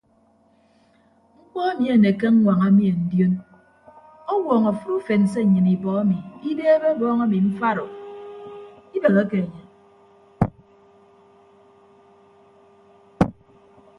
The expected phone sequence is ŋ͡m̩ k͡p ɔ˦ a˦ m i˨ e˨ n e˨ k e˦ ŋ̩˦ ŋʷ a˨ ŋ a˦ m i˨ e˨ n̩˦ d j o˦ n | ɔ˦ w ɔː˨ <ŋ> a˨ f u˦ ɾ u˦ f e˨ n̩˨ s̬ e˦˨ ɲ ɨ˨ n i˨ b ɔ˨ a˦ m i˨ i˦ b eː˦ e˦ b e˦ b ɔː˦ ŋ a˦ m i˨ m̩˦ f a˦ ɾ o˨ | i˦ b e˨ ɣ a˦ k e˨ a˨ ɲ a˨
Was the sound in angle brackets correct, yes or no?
yes